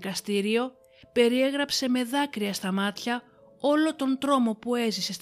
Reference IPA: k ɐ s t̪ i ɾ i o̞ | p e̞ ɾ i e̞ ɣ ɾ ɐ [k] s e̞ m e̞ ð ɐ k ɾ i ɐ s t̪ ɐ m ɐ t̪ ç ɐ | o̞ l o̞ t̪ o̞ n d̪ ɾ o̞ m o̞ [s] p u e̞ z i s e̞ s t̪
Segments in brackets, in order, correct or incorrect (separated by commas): incorrect, incorrect